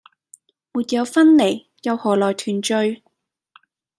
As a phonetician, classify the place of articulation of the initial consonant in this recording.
labial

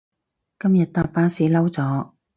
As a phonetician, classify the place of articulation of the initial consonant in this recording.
velar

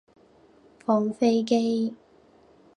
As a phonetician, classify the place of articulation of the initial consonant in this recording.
labial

